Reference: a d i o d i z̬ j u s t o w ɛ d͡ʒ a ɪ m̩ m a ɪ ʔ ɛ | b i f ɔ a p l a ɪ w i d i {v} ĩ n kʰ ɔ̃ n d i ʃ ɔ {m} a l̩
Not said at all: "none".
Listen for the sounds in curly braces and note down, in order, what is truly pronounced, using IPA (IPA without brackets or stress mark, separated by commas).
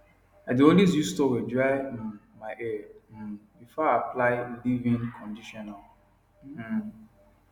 v, n